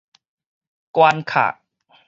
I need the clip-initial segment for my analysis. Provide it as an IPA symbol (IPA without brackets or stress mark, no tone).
k